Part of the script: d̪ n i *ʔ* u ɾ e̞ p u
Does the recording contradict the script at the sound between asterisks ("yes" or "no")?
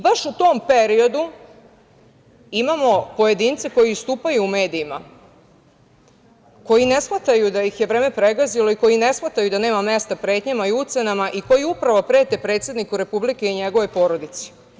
yes